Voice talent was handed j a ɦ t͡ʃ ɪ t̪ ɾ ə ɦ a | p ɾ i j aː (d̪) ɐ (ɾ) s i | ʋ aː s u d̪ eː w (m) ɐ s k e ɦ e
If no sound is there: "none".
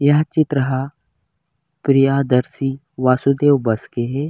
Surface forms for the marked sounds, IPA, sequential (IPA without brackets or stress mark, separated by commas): d̪, ɾ, b